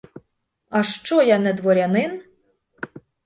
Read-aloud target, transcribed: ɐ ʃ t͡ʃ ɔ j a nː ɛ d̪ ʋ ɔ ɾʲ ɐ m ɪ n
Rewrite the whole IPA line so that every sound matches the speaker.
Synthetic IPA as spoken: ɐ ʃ t͡ʃ ɔ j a n ɛ d̪ ʋ ɔ ɾʲ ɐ n ɪ n